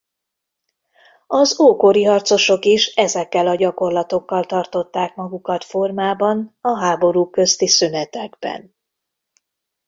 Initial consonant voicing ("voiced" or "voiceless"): voiced